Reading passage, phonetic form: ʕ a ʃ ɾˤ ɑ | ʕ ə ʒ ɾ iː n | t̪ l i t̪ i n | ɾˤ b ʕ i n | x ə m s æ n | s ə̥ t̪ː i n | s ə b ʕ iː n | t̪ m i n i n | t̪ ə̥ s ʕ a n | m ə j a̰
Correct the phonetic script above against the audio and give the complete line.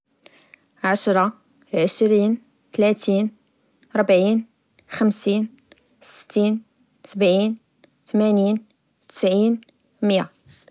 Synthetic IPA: ʕ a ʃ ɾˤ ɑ | ʕ ə ʃ ɾ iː n | t̪ l æ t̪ i n | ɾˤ b ʕ i n | x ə m s i n | s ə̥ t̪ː i n | s ə b ʕ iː n | t̪ m æ n i n | t̪ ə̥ s ʕ i n | m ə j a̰